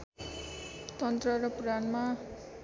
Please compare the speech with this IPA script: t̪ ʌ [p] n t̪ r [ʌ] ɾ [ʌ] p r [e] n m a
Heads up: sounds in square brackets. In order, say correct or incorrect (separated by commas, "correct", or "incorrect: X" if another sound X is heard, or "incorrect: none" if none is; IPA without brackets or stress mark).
incorrect: none, correct, correct, incorrect: a